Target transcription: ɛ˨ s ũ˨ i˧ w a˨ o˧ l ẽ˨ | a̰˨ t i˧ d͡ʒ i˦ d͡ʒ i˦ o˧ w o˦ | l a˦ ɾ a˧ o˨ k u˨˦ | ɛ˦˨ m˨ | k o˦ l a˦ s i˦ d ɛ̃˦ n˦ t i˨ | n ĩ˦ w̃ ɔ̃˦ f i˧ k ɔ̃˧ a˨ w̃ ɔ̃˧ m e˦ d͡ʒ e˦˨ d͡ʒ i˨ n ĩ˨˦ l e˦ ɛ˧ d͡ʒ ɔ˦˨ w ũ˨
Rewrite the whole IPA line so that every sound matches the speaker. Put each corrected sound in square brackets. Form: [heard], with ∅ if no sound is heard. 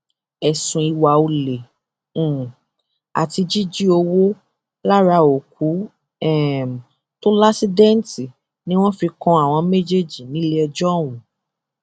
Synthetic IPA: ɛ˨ s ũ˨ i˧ w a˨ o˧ l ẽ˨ | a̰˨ t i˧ d͡ʒ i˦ d͡ʒ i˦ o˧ w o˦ | l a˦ ɾ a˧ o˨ k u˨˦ | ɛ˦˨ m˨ | [t] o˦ l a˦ s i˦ d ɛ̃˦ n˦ t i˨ | n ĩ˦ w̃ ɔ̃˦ f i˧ k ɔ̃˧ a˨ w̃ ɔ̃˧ m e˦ d͡ʒ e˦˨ d͡ʒ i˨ n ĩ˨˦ l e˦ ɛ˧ d͡ʒ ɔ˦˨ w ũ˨